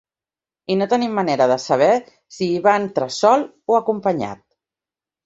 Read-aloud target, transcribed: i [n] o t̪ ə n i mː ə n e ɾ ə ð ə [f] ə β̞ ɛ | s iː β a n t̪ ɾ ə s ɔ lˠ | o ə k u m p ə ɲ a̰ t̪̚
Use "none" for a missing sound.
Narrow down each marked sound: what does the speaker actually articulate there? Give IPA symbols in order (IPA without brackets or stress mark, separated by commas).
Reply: n, s